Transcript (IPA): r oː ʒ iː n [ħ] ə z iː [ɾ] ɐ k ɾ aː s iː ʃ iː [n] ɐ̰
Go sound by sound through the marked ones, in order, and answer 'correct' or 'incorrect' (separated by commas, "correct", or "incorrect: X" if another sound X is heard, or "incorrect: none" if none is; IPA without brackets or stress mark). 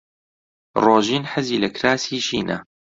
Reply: correct, incorrect: l, correct